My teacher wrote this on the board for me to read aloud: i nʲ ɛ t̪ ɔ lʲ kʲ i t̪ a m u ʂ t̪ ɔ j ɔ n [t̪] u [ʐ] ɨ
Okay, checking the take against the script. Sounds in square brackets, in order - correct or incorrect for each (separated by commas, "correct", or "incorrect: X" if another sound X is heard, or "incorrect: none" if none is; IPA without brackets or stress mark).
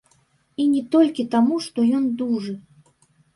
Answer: incorrect: d̪, correct